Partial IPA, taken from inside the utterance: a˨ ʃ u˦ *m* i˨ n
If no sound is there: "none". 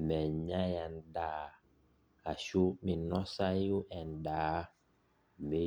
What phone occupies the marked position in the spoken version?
m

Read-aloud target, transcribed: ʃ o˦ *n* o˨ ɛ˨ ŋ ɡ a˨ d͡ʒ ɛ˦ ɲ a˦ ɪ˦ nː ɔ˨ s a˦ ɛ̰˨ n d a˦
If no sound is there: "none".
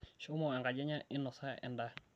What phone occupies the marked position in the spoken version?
m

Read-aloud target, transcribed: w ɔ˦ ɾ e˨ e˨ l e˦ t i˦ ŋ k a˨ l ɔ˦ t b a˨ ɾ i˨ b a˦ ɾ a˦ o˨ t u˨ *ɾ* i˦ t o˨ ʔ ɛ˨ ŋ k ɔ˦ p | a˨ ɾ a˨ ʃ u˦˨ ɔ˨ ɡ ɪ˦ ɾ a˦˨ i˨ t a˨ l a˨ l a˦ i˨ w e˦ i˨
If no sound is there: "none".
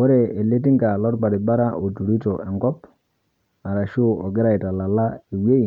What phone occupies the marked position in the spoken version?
ɾ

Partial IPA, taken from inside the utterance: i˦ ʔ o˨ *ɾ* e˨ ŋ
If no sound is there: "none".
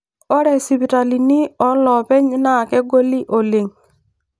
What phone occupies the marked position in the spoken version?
l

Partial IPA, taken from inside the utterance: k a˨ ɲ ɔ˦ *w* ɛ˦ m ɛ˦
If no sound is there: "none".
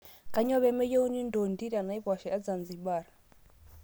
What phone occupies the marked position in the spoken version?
β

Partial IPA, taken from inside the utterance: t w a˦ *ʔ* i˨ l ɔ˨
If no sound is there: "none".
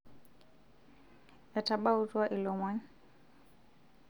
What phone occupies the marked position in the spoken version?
ʔ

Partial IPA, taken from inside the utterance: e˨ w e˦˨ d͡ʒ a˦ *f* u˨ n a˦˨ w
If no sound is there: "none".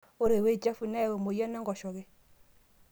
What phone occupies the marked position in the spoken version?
f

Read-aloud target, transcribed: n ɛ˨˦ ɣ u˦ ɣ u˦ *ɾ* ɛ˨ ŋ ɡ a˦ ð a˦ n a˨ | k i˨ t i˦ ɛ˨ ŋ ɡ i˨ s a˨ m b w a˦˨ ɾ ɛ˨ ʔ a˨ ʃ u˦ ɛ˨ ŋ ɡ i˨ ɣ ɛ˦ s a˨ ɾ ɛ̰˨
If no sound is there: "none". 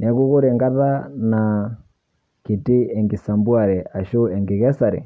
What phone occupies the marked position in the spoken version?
ɾ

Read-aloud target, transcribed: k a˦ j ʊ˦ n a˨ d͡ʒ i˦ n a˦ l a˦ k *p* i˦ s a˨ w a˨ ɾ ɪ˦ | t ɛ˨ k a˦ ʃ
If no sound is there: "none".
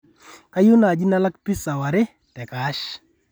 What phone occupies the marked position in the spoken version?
p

